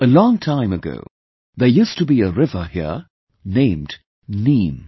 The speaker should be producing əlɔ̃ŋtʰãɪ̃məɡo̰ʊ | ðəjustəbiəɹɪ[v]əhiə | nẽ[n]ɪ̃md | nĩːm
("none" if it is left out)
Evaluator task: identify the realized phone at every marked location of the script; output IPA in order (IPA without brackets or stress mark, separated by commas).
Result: v, none